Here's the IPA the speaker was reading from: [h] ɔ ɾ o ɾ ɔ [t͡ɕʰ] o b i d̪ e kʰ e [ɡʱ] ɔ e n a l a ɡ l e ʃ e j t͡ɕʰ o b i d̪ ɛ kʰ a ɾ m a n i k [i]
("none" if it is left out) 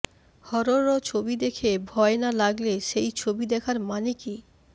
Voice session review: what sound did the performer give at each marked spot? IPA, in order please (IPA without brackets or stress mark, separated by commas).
h, t͡ɕʰ, bʱ, i